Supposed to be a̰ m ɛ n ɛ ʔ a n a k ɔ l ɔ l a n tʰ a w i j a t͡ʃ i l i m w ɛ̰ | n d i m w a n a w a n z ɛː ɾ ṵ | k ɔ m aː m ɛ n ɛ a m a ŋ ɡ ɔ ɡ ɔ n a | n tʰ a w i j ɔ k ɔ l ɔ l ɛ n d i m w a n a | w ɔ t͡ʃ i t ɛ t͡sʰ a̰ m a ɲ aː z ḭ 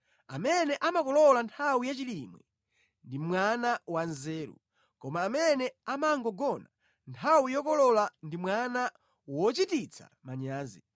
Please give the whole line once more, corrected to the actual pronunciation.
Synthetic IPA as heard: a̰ m ɛ n ɛ ʔ a m a k ɔ l ɔ l a n tʰ a w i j a t͡ʃ i l i m w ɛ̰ | n d i m w a n a w a n z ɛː ɾ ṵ | k ɔ m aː m ɛ n ɛ a m a ŋ ɡ ɔ ɡ ɔ n a | n tʰ a w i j ɔ k ɔ l ɔ l a n d i m w a n a | w ɔ t͡ʃ i t i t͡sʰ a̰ m a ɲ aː z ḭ